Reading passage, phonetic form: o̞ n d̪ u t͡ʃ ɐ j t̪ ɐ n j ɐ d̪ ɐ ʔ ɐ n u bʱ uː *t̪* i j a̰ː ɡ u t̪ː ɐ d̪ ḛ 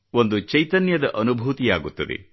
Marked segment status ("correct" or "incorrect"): correct